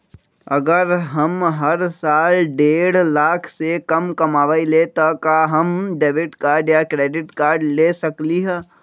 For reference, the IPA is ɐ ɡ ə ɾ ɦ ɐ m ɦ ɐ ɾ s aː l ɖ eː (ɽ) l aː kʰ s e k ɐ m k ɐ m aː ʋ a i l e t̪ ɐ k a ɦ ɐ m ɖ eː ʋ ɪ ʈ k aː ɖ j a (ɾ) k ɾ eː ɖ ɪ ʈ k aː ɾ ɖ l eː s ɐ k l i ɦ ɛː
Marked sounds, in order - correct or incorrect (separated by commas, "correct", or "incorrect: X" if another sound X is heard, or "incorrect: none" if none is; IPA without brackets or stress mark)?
correct, incorrect: none